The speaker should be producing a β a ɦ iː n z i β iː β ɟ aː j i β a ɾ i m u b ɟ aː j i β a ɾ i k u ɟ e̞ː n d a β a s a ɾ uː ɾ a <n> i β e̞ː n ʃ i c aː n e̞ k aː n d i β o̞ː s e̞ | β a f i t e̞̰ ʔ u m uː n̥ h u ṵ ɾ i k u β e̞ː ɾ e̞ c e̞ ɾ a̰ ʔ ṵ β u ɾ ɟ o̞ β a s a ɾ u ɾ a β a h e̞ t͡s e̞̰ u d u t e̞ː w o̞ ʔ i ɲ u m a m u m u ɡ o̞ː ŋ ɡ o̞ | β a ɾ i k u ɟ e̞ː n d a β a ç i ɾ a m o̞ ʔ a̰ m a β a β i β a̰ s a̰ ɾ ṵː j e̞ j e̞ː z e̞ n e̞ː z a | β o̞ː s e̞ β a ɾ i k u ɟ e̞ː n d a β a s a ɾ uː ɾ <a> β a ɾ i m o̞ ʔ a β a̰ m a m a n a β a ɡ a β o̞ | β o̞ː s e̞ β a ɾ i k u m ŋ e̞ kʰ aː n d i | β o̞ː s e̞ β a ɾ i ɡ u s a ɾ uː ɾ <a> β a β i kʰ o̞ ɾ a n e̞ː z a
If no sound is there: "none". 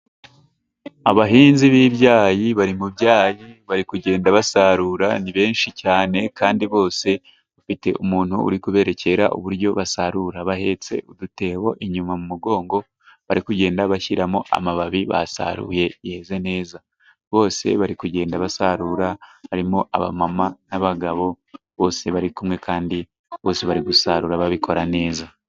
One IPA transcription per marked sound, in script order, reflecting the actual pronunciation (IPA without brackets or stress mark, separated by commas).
n, a, a